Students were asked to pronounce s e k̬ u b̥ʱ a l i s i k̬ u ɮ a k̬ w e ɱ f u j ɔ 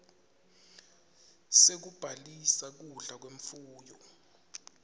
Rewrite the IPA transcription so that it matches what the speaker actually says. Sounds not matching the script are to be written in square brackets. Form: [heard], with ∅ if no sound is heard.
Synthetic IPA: s e k̬ u b̥ʱ a l i s [a] k̬ u ɮ a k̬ w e ɱ f [uː] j ɔ